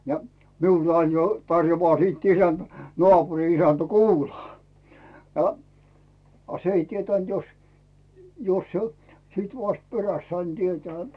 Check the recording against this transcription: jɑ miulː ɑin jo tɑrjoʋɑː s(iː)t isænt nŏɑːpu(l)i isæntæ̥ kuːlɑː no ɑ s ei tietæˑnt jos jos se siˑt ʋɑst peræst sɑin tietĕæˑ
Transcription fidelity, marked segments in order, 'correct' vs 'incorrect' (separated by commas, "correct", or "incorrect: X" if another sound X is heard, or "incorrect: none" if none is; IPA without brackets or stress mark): correct, incorrect: r